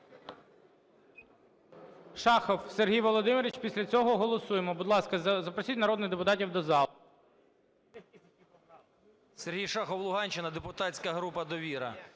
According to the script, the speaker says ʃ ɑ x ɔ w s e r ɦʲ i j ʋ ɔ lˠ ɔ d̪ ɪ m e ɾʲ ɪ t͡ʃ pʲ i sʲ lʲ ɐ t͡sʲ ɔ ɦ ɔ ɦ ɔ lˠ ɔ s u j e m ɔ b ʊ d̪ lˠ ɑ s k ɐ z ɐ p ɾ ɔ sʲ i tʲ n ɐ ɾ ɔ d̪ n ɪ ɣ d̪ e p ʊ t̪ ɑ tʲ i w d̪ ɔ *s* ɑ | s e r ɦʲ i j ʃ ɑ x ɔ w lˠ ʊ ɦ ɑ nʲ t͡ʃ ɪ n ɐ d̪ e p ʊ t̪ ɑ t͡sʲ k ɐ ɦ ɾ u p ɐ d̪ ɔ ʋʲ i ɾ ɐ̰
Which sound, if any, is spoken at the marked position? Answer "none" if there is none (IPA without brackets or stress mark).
z